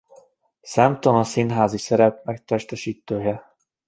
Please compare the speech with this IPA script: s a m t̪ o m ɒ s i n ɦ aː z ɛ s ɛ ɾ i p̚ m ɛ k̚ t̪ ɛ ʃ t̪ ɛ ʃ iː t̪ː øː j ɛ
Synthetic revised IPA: s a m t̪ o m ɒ s i n ɦ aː z i s ɛ ɾ ɛ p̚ m ɛ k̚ t̪ ɛ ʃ t̪ ɛ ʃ iː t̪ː øː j ɛ